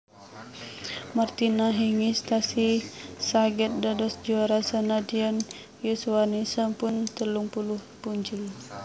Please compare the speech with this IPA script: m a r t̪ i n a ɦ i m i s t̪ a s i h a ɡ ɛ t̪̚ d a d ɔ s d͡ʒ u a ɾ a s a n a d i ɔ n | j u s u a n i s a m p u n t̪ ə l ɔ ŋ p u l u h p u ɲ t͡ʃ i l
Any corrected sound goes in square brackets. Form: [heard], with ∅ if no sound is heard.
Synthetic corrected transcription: m a r t̪ i n a ɦ i [ŋ] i s t̪ a s i [s] a ɡ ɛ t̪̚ d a d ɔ s d͡ʒ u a ɾ a s a n a d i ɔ n | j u s u a n i s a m p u n t̪ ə l [u] ŋ p u l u h p u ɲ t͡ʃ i l